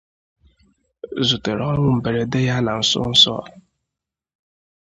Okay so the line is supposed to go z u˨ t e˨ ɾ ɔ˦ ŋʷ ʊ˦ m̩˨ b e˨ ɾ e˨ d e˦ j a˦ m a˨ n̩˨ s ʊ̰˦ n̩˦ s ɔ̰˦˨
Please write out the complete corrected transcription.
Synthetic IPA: z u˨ t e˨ ɾ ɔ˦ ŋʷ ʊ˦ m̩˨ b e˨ ɾ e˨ d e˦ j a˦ n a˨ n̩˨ s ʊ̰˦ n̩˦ s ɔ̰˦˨